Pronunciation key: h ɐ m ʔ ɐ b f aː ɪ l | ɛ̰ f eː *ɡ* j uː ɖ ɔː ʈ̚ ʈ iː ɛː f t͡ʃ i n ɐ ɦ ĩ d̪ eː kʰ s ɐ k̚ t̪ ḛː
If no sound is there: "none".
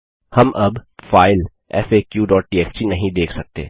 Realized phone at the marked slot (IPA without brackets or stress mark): k